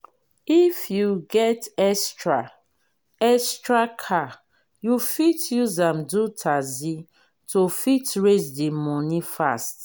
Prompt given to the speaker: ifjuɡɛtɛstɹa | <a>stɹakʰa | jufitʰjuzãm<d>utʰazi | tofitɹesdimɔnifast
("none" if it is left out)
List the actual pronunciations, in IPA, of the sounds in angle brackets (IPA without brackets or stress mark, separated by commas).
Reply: ɛ, d